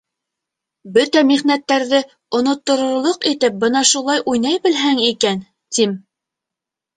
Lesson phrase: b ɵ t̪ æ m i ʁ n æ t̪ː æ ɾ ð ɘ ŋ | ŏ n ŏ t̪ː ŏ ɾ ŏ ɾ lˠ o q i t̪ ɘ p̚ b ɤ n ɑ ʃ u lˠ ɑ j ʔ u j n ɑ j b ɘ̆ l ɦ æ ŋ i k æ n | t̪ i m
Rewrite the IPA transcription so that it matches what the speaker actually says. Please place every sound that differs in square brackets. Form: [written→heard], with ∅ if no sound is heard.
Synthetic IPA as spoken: b ɵ t̪ æ m i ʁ n æ t̪ː æ ɾ ð ɘ [ŋ→∅] | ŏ n ŏ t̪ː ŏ ɾ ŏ ɾ lˠ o q i t̪ ɘ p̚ b ɤ n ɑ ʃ u lˠ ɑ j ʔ u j n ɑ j b ɘ̆ l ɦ æ ŋ i k æ n | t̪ i m

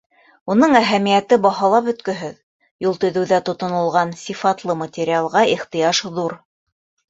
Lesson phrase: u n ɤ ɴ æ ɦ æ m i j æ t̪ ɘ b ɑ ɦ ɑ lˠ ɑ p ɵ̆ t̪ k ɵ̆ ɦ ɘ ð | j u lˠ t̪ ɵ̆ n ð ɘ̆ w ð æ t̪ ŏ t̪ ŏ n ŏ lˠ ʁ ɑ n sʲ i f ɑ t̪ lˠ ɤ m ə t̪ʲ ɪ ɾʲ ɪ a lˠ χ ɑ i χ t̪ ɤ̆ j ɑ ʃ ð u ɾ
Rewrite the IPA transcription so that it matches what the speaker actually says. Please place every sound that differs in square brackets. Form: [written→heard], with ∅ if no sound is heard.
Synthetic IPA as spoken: u n ɤ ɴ æ ɦ æ m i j æ t̪ ɘ b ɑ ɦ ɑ lˠ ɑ p ɵ̆ t̪ k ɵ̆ ɦ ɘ ð | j u lˠ t̪ ɵ̆ [n→∅] ð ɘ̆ w ð æ t̪ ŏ t̪ ŏ n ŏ lˠ ʁ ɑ n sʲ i f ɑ t̪ lˠ ɤ m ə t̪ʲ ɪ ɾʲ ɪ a lˠ [χ→ʁ] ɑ i χ t̪ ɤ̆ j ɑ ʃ ð u ɾ

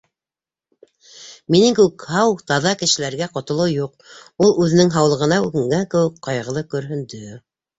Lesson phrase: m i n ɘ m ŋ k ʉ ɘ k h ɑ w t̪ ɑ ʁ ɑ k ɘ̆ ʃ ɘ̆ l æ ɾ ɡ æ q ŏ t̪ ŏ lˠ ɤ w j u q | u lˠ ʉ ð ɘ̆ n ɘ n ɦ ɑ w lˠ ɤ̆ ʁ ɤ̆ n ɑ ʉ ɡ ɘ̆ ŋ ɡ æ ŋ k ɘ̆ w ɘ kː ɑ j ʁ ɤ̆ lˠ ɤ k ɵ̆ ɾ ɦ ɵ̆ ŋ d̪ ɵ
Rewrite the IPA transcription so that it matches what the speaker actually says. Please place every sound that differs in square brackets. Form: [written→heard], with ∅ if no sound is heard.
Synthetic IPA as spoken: m i n ɘ [m→∅] ŋ k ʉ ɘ k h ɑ w t̪ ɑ [ʁ→ð] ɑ k ɘ̆ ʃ ɘ̆ l æ ɾ ɡ æ q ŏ t̪ ŏ lˠ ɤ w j u q | u lˠ ʉ ð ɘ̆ n ɘ [n→ŋ] ɦ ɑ w lˠ ɤ̆ ʁ ɤ̆ n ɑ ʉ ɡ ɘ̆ ŋ ɡ æ ŋ k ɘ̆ w ɘ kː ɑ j ʁ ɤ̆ lˠ ɤ k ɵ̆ ɾ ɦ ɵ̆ [ŋ→n] d̪ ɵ

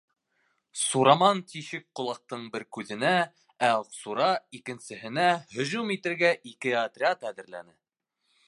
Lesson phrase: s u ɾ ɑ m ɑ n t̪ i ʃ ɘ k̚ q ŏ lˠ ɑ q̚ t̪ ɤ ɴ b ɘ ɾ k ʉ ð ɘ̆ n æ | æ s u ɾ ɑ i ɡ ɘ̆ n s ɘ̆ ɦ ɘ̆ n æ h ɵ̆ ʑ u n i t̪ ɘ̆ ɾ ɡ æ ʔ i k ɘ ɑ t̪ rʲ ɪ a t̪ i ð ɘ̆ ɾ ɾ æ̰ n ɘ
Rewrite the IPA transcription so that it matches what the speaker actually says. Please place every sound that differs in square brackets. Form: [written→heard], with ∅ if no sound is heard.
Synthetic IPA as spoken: s u ɾ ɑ m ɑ n t̪ i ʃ ɘ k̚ q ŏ lˠ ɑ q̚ t̪ ɤ ɴ b ɘ ɾ k ʉ ð ɘ̆ n æ | æ s u ɾ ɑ i [ɡ→k] ɘ̆ n s ɘ̆ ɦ ɘ̆ n æ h ɵ̆ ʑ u [n→m] i t̪ ɘ̆ ɾ ɡ æ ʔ i k ɘ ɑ t̪ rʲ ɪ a t̪ [i→æ] ð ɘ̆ ɾ [ɾ→l] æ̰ n ɘ

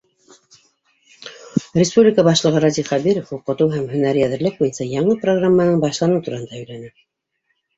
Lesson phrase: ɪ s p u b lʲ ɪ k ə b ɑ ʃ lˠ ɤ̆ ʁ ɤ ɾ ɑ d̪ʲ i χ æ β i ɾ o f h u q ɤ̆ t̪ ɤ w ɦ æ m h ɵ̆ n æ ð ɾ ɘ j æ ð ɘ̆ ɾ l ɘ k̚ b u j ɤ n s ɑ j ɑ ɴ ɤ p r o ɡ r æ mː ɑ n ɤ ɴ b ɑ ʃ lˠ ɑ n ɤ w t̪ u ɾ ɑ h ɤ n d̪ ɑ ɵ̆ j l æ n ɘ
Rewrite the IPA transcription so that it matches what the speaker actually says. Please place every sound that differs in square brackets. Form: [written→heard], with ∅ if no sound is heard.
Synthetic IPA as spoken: ɪ s p u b lʲ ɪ k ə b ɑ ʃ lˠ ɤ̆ ʁ ɤ ɾ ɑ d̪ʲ i χ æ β i ɾ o f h u q ɤ̆ t̪ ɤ w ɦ æ m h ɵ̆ n æ [ð→∅] ɾ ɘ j æ ð ɘ̆ ɾ l ɘ k̚ b u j ɤ n s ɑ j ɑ ɴ ɤ p r o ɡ r [æ→a] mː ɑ n ɤ ɴ b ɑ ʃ lˠ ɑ n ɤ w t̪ u ɾ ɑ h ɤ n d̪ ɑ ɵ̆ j l æ n ɘ

